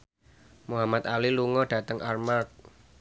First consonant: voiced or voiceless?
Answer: voiced